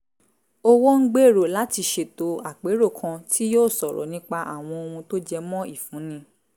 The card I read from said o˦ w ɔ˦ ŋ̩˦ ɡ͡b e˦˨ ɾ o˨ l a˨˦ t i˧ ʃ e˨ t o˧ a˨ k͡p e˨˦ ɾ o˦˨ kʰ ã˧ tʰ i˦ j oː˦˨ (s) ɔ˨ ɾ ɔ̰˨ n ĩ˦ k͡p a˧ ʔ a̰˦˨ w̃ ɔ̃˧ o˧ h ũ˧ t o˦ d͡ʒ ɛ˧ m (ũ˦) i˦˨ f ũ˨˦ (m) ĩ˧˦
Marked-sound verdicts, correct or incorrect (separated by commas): correct, incorrect, incorrect